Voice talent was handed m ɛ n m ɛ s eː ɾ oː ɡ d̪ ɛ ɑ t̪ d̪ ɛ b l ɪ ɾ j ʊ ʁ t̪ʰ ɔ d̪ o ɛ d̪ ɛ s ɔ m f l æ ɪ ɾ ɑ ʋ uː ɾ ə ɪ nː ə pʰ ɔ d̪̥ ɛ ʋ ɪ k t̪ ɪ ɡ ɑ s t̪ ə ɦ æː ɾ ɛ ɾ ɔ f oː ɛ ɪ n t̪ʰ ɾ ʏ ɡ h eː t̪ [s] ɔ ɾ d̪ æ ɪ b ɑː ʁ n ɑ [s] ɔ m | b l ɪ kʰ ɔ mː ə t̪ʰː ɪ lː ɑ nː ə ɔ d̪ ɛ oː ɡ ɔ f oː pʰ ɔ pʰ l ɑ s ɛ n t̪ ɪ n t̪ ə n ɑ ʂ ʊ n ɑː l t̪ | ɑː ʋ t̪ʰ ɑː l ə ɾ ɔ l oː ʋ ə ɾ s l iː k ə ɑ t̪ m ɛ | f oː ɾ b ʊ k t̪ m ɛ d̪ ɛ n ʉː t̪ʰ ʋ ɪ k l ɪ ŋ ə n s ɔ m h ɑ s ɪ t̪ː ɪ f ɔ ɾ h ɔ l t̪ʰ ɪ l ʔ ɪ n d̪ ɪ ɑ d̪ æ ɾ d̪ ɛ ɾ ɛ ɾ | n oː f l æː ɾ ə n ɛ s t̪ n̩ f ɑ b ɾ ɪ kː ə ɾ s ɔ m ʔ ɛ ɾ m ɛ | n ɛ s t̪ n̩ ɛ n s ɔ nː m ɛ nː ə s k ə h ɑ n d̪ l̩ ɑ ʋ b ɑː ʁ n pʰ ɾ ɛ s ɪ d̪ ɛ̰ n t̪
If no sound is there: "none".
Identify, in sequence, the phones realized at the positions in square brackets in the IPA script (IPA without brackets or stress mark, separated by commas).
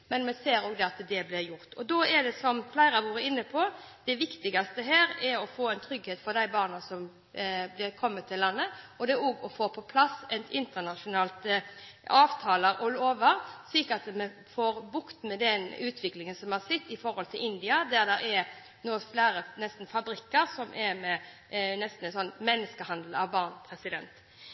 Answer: f, s